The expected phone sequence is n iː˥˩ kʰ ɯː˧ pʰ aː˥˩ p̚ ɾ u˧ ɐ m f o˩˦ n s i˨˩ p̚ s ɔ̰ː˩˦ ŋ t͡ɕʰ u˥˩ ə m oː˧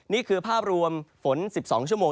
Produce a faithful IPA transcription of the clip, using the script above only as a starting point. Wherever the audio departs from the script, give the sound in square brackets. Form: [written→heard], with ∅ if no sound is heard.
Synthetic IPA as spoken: n iː˥˩ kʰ ɯː˧ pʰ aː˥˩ p̚ ɾ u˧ [ɐ→ə] m f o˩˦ n s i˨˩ p̚ s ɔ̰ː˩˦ ŋ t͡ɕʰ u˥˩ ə m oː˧